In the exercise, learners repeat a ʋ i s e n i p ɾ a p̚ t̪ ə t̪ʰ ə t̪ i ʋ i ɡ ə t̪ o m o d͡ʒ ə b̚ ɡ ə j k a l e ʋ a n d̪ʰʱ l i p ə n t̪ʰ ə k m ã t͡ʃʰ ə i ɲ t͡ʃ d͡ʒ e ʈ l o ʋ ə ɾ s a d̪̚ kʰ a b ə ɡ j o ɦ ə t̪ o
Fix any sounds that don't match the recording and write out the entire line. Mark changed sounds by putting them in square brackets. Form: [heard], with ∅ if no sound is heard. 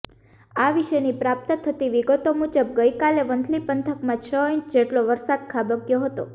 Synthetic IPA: a ʋ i [ʃ] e n i p ɾ a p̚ t̪ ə t̪ʰ ə t̪ i ʋ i ɡ ə t̪ o m [u] d͡ʒ ə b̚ ɡ ə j k a l e ʋ [ə] n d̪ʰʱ l i p ə n t̪ʰ ə k m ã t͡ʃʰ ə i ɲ t͡ʃ d͡ʒ e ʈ l o ʋ ə ɾ s a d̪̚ kʰ a b ə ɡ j o ɦ ə t̪ o